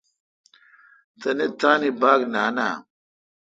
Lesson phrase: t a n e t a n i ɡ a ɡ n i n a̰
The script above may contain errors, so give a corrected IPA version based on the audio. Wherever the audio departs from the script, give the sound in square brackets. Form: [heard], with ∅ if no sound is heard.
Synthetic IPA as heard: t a n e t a n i [b] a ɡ n [a] n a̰